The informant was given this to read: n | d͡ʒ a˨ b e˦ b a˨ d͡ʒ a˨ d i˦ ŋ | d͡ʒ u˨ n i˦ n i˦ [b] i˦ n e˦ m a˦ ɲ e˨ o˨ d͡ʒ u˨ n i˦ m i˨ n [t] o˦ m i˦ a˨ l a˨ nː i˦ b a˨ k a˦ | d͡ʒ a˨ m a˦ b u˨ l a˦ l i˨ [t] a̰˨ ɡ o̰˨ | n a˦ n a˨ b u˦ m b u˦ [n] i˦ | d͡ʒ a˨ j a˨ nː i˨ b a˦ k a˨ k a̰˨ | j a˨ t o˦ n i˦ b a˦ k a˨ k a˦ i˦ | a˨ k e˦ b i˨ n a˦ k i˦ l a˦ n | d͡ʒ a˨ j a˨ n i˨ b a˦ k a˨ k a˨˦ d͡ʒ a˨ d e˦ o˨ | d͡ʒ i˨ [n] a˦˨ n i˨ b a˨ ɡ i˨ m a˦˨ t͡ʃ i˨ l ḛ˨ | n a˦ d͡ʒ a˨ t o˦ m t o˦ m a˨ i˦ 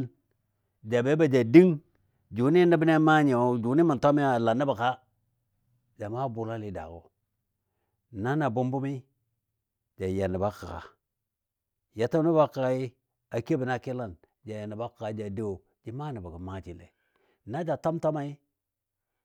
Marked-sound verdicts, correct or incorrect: correct, correct, incorrect, incorrect, incorrect

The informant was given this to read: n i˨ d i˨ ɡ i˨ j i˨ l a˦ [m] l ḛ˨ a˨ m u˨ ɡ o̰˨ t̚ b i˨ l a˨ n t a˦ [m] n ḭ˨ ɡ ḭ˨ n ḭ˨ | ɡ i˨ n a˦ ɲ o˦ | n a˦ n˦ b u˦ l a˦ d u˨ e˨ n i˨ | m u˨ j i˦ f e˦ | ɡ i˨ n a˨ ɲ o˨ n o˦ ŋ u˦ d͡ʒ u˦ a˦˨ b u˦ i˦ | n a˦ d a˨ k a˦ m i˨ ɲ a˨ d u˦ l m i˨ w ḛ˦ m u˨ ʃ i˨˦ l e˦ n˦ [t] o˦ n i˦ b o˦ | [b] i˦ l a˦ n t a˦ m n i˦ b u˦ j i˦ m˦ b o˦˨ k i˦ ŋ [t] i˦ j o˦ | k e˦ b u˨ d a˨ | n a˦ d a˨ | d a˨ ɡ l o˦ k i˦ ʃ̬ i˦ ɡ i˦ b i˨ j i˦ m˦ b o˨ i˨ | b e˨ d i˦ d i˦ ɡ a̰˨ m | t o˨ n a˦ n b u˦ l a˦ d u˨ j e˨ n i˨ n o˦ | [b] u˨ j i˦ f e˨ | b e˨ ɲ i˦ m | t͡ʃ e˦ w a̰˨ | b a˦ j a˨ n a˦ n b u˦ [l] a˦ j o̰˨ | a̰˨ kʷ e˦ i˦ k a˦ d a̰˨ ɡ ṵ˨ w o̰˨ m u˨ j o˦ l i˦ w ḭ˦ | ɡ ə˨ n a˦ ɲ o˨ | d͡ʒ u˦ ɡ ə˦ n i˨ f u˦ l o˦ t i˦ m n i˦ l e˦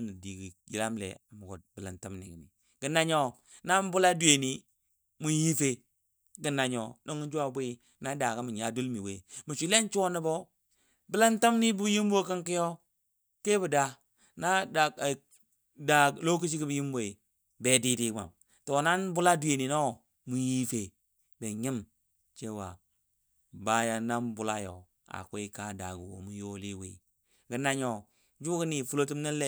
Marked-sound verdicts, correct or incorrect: correct, correct, incorrect, correct, incorrect, incorrect, correct

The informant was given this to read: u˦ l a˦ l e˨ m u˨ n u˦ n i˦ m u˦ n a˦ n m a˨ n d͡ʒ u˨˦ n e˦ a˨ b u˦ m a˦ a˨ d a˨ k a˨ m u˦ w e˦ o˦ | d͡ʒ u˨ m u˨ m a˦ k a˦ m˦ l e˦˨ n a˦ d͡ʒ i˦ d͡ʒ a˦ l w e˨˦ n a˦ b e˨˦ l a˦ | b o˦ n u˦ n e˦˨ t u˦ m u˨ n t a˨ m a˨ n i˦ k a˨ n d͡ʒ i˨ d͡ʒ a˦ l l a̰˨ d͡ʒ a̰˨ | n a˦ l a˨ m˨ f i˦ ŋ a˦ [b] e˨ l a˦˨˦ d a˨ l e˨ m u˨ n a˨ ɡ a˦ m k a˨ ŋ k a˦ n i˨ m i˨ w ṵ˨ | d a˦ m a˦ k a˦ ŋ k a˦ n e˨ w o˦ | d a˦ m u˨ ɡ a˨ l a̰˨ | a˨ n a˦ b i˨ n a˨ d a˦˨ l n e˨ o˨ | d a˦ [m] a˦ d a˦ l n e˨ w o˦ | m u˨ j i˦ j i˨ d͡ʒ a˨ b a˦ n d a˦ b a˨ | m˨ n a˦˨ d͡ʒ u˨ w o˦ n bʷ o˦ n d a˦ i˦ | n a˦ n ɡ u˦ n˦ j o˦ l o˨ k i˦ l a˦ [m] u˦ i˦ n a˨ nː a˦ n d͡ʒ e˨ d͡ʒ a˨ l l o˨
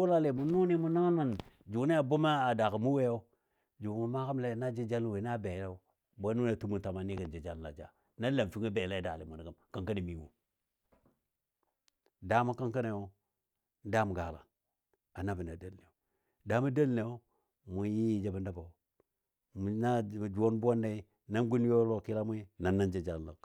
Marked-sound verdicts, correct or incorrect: correct, correct, correct

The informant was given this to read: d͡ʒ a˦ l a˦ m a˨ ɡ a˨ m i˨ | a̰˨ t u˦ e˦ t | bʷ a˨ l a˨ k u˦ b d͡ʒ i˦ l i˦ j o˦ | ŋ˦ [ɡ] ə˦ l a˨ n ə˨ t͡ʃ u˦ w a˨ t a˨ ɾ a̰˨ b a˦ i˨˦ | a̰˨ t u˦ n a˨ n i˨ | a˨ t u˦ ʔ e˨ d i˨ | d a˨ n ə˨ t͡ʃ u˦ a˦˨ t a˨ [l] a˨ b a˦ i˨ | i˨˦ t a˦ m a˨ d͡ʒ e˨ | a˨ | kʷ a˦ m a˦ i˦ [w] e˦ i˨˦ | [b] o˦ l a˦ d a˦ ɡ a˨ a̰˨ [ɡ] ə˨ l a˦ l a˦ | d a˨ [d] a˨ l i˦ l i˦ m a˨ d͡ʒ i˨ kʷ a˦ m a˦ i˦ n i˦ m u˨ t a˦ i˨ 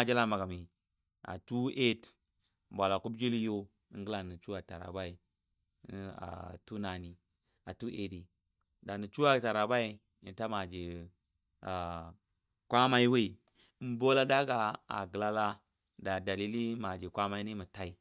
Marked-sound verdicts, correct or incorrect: correct, incorrect, correct, correct, correct, correct

